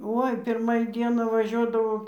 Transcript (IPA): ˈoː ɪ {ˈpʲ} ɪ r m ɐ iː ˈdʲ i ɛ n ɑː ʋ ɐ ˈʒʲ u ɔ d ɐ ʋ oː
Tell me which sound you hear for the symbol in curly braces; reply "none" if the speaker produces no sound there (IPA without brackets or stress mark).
pʲ